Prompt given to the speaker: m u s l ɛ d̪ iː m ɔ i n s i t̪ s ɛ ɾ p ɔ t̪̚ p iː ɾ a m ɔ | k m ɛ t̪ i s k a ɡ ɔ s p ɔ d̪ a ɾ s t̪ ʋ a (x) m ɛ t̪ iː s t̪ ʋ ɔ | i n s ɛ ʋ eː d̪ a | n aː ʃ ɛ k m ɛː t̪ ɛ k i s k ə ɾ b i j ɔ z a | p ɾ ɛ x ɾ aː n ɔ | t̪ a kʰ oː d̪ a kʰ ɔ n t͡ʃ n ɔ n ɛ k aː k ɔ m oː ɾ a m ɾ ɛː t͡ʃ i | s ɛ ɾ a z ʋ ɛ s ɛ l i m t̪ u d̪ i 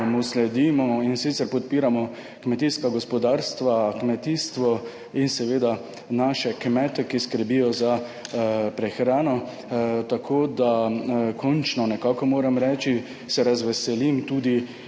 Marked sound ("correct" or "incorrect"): incorrect